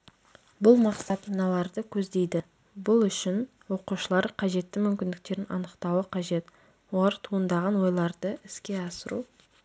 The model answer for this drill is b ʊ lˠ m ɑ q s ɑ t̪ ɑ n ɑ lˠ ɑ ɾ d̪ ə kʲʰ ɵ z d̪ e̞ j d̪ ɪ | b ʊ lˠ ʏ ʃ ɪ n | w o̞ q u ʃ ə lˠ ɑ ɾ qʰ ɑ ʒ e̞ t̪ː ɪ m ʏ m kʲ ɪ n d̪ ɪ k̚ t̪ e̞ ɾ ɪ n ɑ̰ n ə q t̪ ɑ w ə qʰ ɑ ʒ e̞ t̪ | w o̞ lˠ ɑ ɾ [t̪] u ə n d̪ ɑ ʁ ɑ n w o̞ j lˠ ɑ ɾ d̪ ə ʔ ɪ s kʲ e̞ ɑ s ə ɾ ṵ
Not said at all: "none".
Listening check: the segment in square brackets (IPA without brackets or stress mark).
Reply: t̪ʰ